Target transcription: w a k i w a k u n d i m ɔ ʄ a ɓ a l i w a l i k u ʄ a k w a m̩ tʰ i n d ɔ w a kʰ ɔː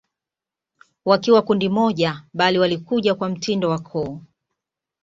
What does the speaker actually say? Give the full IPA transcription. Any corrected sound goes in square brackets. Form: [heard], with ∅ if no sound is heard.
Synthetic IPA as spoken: w a k i w a k u n d i m ɔ ʄ a ɓ a l i w a l i k u ʄ a k w a m̩ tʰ i n d ɔ w a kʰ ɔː